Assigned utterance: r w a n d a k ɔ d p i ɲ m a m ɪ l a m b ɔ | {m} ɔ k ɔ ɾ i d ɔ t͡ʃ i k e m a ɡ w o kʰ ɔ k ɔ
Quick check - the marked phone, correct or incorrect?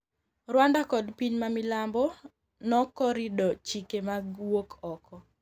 incorrect